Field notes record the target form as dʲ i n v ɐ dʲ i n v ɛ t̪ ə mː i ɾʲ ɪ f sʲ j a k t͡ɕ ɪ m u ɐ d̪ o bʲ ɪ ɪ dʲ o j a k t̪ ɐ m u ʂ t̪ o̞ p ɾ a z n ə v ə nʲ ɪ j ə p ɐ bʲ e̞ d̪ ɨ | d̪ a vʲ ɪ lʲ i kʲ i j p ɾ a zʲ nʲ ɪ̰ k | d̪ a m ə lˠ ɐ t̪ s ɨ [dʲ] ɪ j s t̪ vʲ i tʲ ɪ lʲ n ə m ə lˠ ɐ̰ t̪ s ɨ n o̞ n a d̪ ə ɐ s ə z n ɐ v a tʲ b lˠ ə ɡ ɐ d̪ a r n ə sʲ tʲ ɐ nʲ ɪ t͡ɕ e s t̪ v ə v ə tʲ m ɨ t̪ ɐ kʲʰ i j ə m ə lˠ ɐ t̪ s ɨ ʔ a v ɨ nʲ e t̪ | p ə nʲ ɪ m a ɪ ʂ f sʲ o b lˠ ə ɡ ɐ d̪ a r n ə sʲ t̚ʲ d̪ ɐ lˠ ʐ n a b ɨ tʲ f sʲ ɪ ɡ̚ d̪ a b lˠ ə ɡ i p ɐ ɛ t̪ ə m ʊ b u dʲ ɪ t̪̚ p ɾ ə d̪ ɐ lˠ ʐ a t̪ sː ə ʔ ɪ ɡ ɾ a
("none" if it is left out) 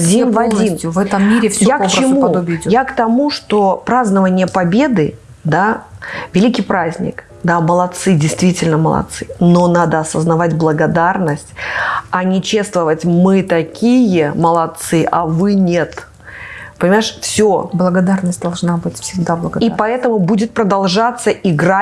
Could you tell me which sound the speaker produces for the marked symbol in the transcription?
dʲ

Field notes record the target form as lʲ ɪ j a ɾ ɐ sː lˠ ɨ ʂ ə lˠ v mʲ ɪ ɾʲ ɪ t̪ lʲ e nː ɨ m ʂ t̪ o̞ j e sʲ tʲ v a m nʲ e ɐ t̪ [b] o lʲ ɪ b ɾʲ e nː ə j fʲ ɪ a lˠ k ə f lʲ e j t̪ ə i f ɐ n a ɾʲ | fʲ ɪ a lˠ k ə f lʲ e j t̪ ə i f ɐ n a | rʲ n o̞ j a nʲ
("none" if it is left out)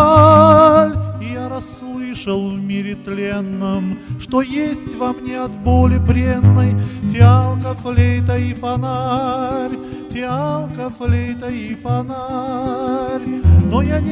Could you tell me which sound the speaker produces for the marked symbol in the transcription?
b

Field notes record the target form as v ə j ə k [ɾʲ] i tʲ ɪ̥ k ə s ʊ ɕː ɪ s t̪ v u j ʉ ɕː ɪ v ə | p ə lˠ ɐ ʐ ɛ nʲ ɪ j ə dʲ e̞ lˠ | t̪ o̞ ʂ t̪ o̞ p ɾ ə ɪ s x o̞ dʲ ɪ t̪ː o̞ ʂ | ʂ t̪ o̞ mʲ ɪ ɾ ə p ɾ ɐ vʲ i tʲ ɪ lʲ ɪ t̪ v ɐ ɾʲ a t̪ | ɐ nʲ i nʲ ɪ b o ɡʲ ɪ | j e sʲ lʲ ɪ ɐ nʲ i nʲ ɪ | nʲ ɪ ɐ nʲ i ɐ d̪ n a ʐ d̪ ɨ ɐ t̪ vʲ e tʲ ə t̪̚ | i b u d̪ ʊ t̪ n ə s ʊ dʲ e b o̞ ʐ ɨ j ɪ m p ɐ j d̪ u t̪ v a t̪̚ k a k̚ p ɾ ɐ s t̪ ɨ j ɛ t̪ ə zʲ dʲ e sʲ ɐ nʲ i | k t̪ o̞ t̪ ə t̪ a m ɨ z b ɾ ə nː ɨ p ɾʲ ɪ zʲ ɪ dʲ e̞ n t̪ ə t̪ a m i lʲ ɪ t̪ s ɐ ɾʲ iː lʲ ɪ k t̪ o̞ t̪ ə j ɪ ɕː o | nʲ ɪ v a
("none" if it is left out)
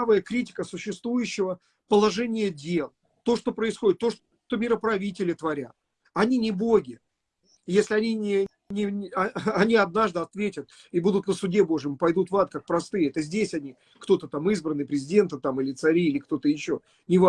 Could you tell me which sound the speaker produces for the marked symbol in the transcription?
ɾʲ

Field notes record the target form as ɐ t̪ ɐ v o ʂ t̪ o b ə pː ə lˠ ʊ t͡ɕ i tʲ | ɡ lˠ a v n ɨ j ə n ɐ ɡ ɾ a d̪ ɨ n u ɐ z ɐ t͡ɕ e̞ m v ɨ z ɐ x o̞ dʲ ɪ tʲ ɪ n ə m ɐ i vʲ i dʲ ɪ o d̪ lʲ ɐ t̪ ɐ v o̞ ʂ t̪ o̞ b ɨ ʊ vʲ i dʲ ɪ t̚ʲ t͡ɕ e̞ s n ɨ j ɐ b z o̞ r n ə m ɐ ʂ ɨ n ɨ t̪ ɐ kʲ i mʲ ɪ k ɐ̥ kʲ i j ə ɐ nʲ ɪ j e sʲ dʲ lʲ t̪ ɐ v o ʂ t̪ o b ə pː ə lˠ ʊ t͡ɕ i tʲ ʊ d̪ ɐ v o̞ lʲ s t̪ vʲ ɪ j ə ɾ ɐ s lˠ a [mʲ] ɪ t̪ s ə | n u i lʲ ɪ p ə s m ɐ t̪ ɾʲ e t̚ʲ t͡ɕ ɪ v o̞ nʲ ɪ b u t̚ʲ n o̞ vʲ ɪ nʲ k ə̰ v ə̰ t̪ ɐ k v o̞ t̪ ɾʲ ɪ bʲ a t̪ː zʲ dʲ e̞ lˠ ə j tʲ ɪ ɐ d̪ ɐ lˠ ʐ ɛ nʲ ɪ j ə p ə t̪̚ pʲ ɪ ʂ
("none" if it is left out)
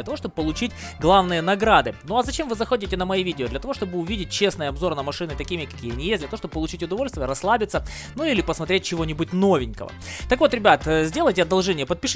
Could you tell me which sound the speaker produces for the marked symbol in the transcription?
bʲ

